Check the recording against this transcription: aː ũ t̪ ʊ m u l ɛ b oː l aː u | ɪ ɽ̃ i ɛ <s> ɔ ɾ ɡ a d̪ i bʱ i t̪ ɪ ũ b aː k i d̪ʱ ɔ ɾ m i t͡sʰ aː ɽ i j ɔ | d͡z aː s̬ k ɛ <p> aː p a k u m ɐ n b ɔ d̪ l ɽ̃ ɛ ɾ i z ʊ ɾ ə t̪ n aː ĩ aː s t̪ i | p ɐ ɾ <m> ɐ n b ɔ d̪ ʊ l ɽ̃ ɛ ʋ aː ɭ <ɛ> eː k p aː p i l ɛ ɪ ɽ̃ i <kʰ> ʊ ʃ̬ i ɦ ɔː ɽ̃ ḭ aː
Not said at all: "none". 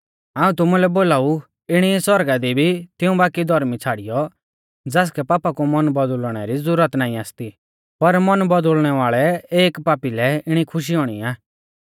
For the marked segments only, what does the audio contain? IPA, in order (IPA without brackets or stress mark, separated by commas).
s, p, m, ɛ, kʰ